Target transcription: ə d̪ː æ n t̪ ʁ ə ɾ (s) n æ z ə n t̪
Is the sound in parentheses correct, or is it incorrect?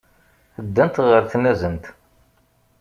incorrect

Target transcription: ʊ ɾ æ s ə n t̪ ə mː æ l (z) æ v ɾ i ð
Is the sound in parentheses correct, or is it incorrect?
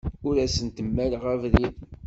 incorrect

